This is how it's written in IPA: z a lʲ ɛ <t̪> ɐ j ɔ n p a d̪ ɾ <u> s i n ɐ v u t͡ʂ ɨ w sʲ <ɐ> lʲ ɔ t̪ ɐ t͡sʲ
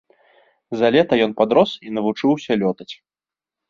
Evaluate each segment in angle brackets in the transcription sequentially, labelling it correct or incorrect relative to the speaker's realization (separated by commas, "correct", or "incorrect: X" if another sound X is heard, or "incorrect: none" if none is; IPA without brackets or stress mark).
correct, incorrect: ɔ, correct